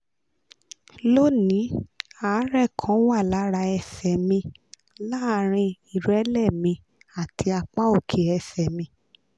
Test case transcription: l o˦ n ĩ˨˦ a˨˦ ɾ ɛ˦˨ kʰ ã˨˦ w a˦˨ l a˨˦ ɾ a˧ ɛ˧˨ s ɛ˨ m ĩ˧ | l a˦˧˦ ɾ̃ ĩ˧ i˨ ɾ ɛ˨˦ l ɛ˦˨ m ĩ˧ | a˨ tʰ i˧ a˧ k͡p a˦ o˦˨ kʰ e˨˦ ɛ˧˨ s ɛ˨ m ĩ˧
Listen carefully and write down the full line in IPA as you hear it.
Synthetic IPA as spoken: l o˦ n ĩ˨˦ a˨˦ ɾ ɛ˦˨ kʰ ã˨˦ w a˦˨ l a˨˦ ɾ a˧ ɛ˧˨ s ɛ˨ m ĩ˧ | l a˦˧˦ ɾ̃ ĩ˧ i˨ ɾ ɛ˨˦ l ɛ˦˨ m ĩ˧ | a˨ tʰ i˧ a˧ k͡p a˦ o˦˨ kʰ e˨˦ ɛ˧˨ s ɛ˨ m ĩ˧